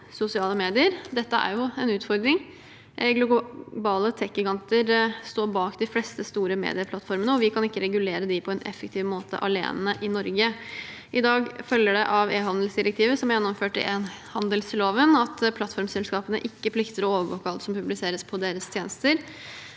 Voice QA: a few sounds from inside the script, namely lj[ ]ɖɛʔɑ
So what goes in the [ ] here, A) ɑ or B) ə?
B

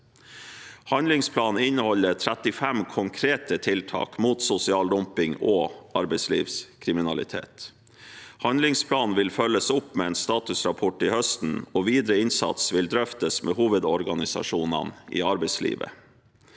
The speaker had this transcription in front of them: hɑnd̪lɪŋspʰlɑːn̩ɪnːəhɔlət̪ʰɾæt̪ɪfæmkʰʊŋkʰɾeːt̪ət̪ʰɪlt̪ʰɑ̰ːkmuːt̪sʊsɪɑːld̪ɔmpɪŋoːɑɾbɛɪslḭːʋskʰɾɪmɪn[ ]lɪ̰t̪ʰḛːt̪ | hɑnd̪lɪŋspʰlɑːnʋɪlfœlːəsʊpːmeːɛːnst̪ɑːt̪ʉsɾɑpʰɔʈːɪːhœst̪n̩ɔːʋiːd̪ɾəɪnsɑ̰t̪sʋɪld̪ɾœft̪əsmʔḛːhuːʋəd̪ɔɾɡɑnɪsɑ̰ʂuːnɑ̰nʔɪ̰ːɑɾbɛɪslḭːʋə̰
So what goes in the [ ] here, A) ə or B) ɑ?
B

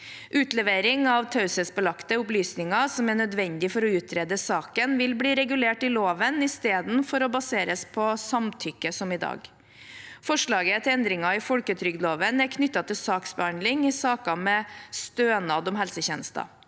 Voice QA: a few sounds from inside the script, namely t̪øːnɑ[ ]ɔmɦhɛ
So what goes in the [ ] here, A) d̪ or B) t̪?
A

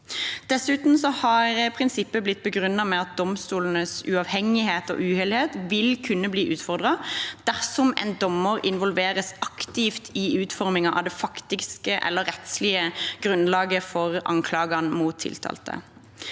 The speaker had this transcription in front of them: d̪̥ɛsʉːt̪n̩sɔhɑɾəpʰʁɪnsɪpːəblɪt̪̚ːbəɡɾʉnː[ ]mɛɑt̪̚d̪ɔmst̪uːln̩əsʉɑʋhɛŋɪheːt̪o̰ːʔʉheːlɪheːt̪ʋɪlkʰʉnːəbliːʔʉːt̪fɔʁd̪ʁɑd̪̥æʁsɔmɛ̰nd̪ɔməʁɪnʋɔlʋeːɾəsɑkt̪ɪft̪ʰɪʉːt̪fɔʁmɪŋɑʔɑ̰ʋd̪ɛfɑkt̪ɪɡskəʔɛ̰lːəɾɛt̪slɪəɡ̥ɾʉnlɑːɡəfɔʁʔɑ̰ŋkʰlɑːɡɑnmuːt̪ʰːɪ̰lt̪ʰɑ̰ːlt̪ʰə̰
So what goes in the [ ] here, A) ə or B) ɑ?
B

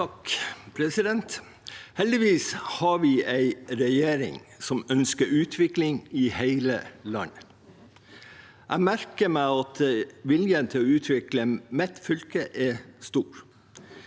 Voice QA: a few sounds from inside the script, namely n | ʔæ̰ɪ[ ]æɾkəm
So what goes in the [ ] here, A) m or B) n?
A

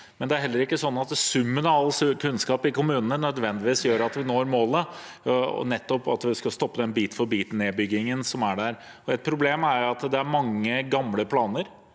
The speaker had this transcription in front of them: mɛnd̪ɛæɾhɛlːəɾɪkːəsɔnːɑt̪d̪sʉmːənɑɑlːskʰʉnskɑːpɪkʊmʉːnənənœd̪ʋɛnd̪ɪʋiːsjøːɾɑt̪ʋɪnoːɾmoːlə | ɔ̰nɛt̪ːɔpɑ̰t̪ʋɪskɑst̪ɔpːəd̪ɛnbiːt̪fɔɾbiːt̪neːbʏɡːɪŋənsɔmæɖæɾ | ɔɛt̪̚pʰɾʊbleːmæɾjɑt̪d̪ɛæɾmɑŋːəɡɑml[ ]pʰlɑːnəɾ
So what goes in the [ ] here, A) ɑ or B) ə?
B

